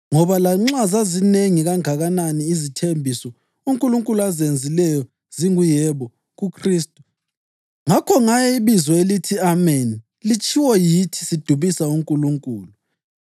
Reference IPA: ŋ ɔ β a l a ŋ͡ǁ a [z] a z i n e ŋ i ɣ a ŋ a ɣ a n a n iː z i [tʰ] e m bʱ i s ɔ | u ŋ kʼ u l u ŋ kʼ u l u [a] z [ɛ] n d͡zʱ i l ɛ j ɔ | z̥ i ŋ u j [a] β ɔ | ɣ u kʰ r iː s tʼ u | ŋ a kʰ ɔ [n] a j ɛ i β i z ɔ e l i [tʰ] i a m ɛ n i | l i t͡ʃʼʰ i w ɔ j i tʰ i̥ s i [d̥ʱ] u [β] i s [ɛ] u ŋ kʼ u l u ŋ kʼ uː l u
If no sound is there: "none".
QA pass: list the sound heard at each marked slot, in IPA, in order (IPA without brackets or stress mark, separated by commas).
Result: z, tʰ, a, e, ɛ, ŋ, tʰ, d̥ʱ, β, a